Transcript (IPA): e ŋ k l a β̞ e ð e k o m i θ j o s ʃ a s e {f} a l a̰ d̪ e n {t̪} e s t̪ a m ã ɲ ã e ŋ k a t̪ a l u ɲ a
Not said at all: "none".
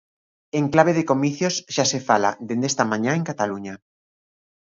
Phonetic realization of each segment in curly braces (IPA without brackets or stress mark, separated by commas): f, d̪